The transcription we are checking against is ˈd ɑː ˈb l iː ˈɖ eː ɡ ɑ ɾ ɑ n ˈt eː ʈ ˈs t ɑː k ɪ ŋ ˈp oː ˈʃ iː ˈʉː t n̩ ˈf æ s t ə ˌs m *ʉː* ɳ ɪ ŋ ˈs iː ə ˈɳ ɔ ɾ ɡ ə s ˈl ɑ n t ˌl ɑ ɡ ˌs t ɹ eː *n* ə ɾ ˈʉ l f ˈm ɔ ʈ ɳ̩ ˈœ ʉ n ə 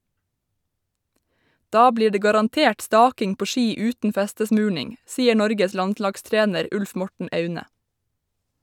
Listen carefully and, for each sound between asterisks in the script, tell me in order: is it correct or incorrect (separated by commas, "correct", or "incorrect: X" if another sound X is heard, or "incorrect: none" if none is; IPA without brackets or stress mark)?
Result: correct, correct